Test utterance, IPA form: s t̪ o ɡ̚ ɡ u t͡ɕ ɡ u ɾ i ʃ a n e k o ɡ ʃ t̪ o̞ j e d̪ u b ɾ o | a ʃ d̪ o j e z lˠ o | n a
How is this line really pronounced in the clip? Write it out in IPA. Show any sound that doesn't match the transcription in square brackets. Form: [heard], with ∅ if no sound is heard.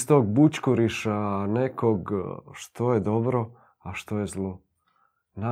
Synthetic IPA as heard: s t̪ o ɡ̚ [b] u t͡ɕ [k] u ɾ i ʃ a n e k o ɡ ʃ t̪ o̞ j e d̪ [o] b ɾ o | a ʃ [t̪] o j e z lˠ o | n a